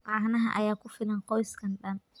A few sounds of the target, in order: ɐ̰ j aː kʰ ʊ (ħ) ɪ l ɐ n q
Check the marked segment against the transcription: incorrect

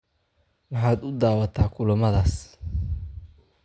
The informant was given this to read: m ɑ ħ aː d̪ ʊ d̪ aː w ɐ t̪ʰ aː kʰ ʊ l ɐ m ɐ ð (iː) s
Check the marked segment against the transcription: incorrect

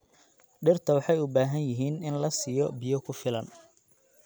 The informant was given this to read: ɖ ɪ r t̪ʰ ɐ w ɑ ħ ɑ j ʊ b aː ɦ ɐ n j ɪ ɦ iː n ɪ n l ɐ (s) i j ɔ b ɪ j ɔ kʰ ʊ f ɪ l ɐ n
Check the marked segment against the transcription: correct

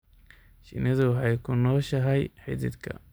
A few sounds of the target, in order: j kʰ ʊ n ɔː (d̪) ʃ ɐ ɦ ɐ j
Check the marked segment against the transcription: incorrect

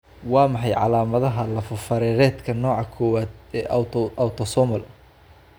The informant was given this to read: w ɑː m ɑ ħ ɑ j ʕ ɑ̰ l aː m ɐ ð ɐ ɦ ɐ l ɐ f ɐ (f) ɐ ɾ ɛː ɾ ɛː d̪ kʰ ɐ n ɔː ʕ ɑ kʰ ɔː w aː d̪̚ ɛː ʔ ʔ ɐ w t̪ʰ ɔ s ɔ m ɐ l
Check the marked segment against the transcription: correct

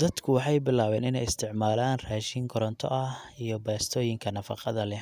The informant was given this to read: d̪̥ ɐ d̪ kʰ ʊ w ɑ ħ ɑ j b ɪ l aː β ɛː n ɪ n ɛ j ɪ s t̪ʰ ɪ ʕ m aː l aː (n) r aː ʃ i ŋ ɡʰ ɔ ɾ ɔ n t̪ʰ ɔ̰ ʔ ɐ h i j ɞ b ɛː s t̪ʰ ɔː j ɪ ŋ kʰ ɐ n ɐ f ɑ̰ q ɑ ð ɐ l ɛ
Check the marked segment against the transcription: correct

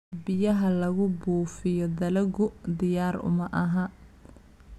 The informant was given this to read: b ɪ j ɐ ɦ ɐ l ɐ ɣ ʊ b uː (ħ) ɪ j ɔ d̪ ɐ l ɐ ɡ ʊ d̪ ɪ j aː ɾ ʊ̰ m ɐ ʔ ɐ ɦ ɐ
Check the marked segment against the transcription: incorrect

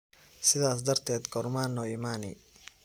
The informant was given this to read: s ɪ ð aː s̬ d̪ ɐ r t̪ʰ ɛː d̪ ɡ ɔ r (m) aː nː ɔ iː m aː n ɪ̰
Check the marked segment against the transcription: correct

